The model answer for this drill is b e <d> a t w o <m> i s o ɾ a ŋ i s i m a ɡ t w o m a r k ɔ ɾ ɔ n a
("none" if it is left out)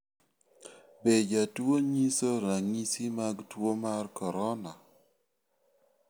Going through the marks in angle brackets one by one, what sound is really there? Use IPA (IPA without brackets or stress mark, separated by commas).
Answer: d͡ʒ, ɲ